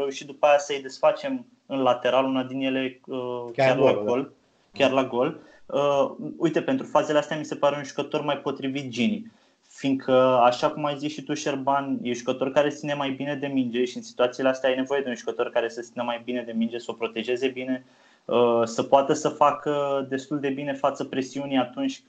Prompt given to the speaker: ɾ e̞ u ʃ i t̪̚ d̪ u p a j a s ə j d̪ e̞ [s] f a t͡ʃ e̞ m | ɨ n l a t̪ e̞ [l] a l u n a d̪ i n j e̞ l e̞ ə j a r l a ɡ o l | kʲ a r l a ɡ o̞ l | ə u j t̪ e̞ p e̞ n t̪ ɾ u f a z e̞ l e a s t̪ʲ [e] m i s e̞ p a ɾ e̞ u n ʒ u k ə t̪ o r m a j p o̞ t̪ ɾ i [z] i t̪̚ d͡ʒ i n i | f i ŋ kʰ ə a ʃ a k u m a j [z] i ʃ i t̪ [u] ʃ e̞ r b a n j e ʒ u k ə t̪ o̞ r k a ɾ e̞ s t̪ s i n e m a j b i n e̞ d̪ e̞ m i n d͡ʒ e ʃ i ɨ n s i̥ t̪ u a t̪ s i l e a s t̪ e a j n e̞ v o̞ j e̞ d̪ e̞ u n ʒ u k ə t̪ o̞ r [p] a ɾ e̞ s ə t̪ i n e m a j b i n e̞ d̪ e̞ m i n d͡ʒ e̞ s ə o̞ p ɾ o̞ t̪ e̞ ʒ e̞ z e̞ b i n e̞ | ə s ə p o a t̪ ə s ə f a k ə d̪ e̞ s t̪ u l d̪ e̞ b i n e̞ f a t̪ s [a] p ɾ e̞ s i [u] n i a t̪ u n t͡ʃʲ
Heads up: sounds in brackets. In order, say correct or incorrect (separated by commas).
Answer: correct, incorrect, incorrect, incorrect, correct, correct, incorrect, incorrect, correct